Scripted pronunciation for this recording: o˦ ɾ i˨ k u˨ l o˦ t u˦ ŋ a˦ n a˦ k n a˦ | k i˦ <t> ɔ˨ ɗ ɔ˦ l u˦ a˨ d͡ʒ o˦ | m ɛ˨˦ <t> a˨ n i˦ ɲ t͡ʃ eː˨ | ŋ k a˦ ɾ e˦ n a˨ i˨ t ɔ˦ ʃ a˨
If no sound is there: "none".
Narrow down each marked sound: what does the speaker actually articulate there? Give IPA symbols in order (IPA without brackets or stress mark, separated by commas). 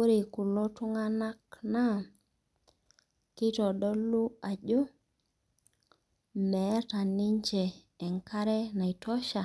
t, t